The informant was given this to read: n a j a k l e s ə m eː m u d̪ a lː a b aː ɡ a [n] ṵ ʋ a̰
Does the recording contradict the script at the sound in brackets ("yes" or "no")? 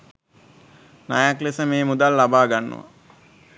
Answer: yes